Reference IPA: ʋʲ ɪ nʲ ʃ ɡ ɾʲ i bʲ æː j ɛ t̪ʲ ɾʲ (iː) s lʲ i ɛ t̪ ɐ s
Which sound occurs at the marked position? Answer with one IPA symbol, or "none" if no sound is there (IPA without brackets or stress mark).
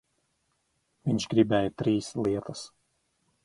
iː